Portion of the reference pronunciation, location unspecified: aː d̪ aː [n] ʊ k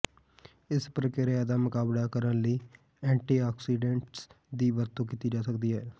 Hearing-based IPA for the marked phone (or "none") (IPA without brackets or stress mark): m